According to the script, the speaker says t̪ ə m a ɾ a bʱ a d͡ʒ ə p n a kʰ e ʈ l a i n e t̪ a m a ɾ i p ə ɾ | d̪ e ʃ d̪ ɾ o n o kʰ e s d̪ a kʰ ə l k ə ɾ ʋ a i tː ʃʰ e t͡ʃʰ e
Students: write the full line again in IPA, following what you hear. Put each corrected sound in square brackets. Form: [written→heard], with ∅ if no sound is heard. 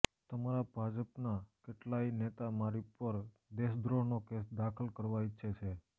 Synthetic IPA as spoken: t̪ ə m a ɾ a bʱ a d͡ʒ ə p n a [kʰ→k] e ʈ l a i n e t̪ a m a ɾ i p ə ɾ | d̪ e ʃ d̪ ɾ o n o [kʰ→k] e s d̪ a kʰ ə l k ə ɾ ʋ a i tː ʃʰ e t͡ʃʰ e